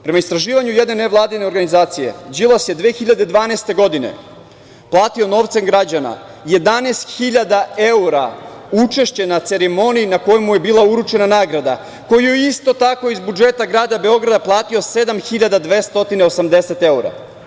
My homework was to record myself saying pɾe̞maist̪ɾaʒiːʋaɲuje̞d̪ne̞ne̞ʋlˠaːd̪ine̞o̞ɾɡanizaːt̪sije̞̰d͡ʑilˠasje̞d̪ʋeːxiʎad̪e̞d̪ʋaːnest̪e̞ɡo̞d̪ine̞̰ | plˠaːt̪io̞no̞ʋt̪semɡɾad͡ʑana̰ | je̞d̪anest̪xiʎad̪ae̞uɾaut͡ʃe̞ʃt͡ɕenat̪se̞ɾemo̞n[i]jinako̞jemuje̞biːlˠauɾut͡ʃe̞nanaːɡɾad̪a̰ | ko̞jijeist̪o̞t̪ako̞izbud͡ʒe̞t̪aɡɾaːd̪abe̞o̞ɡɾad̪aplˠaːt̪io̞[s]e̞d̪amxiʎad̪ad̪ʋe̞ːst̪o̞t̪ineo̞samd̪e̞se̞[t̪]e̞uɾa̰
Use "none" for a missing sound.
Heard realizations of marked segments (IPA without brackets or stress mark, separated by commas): i, s, t̪